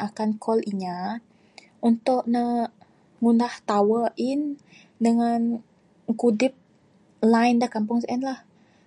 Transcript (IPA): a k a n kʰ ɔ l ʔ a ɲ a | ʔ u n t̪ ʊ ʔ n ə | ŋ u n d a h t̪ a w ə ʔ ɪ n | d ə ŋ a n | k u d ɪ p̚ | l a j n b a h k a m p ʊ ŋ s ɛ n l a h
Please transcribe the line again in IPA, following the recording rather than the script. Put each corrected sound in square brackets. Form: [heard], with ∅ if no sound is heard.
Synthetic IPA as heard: a k a n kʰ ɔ l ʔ [i] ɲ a | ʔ u n t̪ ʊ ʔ n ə | ŋ u n d a h t̪ a w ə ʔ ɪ n | d ə ŋ a n | k u d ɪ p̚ | l a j n [d] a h k a m p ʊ ŋ s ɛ n l a h

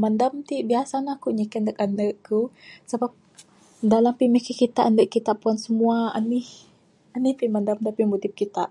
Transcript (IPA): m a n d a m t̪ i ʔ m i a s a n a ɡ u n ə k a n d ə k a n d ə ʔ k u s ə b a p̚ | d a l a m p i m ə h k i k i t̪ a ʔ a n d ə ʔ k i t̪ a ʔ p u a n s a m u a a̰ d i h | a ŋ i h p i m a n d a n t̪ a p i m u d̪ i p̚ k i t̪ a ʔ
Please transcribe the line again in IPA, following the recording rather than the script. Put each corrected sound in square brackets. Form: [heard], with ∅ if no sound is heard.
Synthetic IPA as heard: m a n d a m t̪ i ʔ [b] i a s a n a [k] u [ɲ] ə k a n d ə k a n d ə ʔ k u s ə b a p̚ | d a l a m p i m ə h k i k i t̪ a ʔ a n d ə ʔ k i t̪ a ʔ p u a n s [ə] m u a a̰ [n] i h | a [n] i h p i m a n d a [m] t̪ a p i m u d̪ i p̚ k i t̪ a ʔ

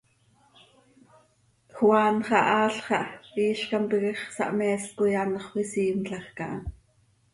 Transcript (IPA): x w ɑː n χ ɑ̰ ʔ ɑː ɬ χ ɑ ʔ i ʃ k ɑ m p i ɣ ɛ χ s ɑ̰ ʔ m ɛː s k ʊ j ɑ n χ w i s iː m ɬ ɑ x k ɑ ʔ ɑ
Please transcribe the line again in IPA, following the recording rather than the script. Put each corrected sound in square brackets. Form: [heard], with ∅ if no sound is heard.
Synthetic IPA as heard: x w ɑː n χ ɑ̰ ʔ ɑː ɬ χ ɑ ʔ [iː] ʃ k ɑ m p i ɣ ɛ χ s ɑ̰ ʔ m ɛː s k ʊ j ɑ n χ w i s iː m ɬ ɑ x k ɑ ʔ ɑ

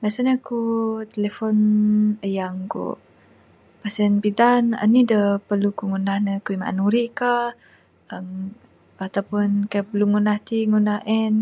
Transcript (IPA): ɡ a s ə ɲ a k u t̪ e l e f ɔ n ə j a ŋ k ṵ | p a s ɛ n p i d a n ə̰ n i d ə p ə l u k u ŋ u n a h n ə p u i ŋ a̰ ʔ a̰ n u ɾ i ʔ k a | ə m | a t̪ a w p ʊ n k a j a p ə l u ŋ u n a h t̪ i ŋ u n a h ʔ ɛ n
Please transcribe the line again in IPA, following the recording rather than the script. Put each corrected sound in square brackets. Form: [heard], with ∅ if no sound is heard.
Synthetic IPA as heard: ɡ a s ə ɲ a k u t̪ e l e f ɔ n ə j a ŋ k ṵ | p a s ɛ n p i d a n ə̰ n i d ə p ə l u k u ŋ u n a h n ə [k] u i [m] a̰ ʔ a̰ n u ɾ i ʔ k a | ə m | a t̪ a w p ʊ n k a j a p ə l u ŋ u n a h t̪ i ŋ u n a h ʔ ɛ n

